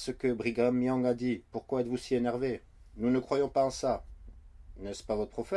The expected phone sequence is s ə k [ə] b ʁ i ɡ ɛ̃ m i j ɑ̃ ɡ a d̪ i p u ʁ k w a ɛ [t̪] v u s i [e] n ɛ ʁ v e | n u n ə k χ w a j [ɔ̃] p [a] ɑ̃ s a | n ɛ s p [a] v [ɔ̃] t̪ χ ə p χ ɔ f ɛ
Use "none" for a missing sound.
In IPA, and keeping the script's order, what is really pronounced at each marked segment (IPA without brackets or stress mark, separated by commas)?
ə, t̪, e, ɔ̃, a, a, ɔ